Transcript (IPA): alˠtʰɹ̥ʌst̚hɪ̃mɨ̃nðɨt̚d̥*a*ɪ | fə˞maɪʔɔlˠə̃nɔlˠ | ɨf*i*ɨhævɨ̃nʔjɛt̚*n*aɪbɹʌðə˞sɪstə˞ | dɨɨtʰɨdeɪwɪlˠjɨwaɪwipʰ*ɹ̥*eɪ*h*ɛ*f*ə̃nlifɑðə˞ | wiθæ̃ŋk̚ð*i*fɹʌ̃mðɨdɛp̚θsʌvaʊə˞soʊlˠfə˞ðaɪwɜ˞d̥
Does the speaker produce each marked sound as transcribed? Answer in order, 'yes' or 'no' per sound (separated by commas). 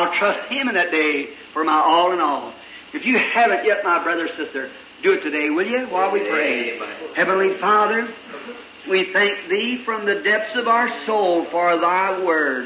no, no, no, yes, yes, no, yes